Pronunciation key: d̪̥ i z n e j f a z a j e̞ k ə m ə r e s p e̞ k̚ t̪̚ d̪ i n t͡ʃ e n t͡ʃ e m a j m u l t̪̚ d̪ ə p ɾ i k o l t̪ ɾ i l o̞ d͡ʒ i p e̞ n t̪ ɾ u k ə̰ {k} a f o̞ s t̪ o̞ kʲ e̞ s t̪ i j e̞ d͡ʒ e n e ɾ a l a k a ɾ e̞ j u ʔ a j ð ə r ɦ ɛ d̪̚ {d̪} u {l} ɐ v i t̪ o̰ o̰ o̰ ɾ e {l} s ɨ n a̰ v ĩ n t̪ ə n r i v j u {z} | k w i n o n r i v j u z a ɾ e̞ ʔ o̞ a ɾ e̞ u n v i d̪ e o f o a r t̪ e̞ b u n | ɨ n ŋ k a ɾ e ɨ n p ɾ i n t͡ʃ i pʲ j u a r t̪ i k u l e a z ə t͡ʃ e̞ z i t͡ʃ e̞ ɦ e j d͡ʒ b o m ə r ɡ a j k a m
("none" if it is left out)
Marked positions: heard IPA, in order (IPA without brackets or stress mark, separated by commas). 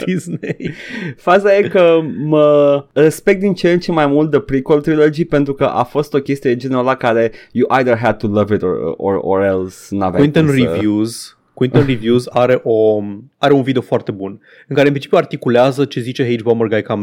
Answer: ʔ, t̪, l, l, z